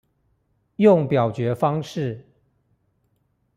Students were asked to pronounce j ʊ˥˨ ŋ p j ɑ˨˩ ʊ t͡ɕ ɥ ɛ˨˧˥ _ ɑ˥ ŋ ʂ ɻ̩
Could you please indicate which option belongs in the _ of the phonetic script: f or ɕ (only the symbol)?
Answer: f